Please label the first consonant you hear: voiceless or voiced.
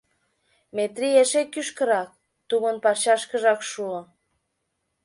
voiced